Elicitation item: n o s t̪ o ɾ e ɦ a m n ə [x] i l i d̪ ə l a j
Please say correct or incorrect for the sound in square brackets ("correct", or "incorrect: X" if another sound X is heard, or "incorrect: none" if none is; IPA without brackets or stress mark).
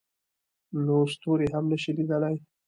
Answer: incorrect: ʃ